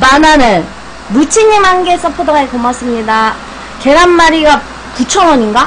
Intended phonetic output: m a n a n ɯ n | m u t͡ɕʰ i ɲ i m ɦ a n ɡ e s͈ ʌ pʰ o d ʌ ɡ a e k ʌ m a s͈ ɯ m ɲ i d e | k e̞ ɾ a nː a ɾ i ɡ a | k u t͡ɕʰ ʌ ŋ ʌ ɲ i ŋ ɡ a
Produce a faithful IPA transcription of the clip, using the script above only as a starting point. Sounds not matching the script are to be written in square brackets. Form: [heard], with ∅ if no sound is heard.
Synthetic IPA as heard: m a n a n ɯ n | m u t͡ɕʰ i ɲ i m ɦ a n ɡ e s͈ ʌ pʰ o d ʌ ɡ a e k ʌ m a s͈ ɯ m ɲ i d [a] | k e̞ ɾ a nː a ɾ i ɡ a | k u t͡ɕʰ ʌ ŋ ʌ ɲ i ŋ ɡ a